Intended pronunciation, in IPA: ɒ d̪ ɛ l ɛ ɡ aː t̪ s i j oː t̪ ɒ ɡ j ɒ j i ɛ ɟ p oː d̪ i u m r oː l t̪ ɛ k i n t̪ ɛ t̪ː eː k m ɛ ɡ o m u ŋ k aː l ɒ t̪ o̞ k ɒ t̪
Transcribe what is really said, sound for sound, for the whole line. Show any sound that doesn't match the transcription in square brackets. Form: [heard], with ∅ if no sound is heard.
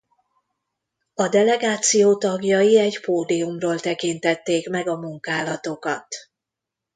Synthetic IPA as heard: ɒ d̪ ɛ l ɛ ɡ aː t̪ s i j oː t̪ ɒ ɡ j ɒ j i ɛ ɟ p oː d̪ i u m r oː l t̪ ɛ k i n t̪ ɛ t̪ː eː k m ɛ ɡ [ɒ] m u ŋ k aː l ɒ t̪ o̞ k ɒ t̪